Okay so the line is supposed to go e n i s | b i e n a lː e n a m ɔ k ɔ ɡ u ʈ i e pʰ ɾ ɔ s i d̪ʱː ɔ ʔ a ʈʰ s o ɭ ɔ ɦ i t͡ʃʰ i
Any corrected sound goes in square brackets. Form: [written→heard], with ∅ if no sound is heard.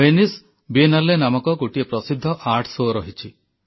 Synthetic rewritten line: e n i s | b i e n a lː e n a m ɔ k ɔ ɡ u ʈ i e [pʰ→p] ɾ ɔ s i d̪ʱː ɔ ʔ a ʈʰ s o [ɭ→ɾ] ɔ ɦ i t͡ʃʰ i